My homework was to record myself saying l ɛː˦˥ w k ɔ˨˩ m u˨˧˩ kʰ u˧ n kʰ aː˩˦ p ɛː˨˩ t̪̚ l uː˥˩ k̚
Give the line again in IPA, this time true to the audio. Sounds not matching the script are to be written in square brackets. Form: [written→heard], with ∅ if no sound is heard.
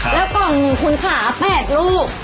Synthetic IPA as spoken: l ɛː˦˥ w k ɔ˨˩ [m→ŋ] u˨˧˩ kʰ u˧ n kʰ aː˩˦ p ɛː˨˩ t̪̚ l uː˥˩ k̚